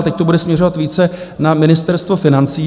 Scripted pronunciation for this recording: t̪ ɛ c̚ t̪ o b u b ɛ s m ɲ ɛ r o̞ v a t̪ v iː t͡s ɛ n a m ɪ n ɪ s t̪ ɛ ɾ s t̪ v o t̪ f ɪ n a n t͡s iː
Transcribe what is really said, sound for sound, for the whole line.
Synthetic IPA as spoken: t̪ ɛ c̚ t̪ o b u d ɛ s m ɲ ɛ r o̞ v a t̪ v iː t͡s ɛ n a m ɪ n ɪ s t̪ ɛ ɾ s t̪ v o f ɪ n a n t͡s iː